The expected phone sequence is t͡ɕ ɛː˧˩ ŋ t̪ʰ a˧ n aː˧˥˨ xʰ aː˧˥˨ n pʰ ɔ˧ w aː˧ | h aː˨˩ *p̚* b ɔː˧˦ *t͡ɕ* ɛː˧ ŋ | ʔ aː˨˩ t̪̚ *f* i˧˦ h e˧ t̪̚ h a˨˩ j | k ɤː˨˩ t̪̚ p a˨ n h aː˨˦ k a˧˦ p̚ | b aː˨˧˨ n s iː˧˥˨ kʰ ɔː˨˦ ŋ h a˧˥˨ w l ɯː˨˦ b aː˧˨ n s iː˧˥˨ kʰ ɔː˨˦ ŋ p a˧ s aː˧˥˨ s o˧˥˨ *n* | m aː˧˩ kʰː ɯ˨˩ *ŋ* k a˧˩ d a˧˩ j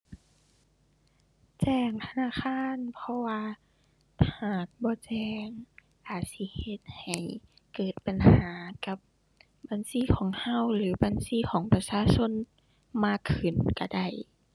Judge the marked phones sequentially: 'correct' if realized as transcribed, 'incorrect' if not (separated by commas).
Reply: incorrect, correct, incorrect, correct, incorrect